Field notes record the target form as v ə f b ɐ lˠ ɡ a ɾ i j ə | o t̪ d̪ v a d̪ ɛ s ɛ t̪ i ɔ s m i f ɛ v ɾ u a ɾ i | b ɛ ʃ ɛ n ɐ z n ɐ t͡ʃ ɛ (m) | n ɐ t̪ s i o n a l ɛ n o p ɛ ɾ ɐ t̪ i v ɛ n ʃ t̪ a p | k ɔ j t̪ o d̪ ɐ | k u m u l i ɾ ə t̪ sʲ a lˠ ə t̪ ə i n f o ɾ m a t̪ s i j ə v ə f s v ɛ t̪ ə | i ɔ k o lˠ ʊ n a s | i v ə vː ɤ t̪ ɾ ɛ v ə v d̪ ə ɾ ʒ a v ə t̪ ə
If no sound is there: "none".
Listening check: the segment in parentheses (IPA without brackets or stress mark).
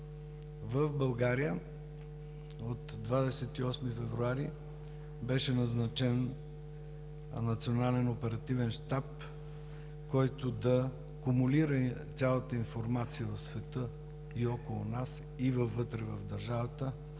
n